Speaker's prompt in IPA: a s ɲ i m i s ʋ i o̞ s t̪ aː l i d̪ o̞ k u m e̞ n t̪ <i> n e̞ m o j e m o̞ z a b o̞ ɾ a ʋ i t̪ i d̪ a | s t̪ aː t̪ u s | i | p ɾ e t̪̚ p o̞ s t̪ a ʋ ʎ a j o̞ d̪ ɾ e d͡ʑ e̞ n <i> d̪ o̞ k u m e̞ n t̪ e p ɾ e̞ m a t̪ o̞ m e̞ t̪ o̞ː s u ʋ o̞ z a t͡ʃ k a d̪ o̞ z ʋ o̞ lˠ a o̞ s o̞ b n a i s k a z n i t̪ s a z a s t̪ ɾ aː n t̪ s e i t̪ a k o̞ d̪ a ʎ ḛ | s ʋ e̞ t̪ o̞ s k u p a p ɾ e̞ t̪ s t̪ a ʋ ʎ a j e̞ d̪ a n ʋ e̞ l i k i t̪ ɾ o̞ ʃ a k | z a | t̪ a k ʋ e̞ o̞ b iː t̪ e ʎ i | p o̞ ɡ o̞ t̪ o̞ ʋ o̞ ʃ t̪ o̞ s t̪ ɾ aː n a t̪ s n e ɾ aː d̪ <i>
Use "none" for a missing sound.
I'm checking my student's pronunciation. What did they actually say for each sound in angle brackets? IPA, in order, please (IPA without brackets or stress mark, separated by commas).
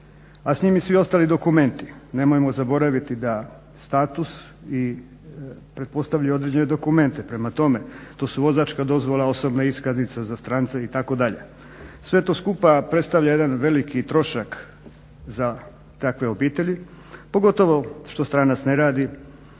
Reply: i, e, i